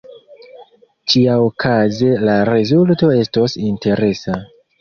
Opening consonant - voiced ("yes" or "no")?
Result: no